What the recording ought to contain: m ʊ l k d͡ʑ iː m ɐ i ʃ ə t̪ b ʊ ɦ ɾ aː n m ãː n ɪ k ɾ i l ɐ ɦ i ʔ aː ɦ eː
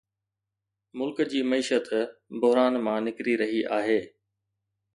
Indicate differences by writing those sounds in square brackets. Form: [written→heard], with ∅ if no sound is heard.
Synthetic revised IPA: m ʊ l k d͡ʑ iː m ɐ [i→iː] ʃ ə t̪ b ʊ ɦ ɾ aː n m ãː n ɪ k ɾ i [l→ɾ] ɐ ɦ i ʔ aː ɦ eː